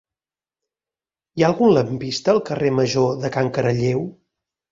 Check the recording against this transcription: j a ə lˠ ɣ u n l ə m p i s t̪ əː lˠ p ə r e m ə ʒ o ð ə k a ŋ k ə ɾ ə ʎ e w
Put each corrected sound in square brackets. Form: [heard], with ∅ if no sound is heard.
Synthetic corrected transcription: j a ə lˠ ɣ u n l ə m p i s t̪ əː lˠ [k] ə r e m ə ʒ o ð ə k a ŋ k ə ɾ ə ʎ e w